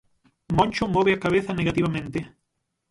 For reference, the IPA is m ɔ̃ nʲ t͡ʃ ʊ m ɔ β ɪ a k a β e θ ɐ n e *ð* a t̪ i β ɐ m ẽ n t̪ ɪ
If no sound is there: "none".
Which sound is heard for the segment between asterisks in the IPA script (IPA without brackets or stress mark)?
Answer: ɣ